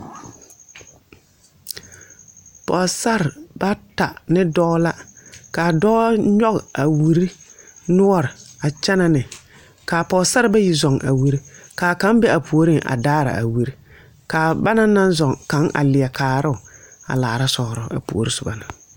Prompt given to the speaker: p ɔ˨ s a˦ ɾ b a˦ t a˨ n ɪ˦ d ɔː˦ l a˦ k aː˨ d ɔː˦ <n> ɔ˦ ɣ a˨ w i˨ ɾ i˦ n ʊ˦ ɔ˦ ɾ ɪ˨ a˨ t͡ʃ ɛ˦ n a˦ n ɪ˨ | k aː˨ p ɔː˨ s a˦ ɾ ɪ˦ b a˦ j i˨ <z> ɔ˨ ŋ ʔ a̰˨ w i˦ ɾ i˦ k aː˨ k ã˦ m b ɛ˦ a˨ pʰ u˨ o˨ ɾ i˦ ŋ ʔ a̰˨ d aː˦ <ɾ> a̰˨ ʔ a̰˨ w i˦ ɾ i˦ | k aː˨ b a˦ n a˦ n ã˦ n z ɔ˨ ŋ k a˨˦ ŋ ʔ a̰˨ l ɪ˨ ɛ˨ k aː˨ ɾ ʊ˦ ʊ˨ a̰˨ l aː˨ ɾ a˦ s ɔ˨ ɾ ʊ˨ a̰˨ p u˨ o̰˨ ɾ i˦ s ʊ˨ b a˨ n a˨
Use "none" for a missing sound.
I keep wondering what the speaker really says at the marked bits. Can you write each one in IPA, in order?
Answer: ɲ, z, ɾ

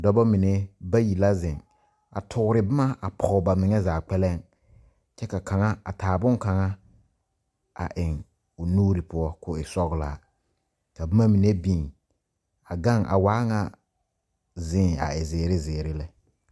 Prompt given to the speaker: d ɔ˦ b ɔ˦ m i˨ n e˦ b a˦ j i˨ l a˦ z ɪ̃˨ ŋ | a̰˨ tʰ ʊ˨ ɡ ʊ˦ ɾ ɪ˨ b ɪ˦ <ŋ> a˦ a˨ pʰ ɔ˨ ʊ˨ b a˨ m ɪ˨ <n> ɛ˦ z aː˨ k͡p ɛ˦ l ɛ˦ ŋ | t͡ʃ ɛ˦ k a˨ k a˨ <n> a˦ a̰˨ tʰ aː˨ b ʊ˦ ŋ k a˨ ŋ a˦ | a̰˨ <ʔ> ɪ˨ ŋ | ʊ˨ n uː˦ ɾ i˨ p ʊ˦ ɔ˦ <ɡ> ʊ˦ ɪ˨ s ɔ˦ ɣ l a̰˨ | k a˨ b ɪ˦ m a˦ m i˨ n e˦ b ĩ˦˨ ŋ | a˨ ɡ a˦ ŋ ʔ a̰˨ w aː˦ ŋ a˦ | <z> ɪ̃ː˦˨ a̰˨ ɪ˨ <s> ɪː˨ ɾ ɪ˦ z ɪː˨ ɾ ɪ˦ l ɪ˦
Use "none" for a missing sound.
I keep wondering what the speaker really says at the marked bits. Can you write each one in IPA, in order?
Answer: m, ŋ, ŋ, ʔ, k, z, z

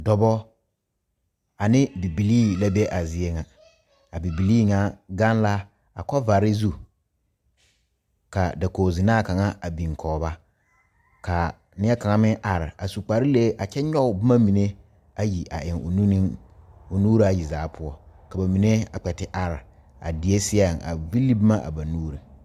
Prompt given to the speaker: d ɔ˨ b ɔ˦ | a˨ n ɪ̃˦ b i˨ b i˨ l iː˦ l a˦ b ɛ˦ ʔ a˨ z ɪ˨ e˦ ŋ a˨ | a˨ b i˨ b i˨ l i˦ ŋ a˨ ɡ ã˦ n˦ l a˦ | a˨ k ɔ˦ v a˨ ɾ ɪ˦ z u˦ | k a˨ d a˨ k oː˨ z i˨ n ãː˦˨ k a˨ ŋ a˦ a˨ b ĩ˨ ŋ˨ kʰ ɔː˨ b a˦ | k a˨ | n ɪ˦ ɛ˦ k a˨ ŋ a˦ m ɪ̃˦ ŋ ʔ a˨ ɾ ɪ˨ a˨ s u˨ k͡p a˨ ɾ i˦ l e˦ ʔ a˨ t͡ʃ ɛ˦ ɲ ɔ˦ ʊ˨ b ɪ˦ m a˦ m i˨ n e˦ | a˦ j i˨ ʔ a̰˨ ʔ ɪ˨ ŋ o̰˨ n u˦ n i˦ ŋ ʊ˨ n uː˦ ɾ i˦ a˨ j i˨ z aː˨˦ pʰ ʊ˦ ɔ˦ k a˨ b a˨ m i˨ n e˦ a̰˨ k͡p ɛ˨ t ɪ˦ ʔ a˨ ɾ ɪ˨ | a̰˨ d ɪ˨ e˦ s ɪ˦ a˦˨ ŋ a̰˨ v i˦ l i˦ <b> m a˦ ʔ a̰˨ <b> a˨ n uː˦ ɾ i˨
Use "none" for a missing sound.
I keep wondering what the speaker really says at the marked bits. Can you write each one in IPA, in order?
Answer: b, b

